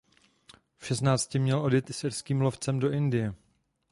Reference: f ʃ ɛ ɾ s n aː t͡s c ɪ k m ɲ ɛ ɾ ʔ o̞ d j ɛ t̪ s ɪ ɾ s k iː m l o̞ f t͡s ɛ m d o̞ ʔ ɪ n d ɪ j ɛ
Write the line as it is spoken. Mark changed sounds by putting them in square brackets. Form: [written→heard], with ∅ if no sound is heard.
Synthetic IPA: f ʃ ɛ [ɾ→∅] s n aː t͡s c ɪ [k→∅] m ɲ ɛ [ɾ→l] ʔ o̞ d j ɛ t̪ s ɪ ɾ s k iː m l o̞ f t͡s ɛ m d o̞ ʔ ɪ n d ɪ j ɛ